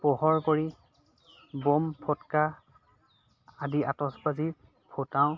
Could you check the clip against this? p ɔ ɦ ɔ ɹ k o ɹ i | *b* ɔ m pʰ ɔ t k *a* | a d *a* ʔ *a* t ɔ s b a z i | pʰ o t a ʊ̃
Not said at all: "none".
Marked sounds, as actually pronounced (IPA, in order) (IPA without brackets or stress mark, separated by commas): b, a, i, a